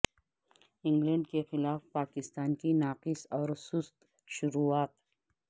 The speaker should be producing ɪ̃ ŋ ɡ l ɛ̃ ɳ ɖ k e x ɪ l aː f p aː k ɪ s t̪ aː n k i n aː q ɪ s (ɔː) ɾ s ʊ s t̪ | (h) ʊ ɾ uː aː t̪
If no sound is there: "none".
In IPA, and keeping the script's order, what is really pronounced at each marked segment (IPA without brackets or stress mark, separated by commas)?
ɔː, ʃ